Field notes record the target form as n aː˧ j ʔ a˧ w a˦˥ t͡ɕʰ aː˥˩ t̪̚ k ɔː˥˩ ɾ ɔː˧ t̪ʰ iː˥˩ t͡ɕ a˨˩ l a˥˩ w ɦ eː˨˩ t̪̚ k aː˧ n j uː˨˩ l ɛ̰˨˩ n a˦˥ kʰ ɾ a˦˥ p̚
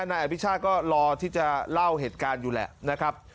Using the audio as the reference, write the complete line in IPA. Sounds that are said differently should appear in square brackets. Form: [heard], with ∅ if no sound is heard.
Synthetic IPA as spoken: n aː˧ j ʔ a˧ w [i˦˥] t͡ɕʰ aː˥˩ t̪̚ k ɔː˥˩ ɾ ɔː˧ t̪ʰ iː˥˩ t͡ɕ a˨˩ l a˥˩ w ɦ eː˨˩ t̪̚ k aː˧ n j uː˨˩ l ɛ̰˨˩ n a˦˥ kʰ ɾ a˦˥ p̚